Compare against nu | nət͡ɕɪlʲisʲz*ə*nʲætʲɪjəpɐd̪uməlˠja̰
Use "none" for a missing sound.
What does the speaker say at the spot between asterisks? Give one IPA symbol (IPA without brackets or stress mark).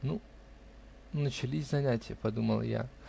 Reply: ɐ